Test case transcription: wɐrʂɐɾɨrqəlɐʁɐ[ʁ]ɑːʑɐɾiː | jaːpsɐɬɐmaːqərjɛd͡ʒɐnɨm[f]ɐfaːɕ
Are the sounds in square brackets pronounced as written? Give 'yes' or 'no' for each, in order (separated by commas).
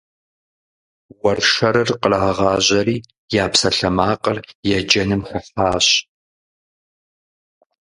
yes, no